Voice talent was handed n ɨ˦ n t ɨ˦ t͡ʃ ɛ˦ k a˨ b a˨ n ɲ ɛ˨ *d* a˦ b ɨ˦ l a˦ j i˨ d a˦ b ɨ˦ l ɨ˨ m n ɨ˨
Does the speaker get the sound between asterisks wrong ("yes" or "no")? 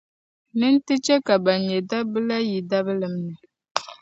no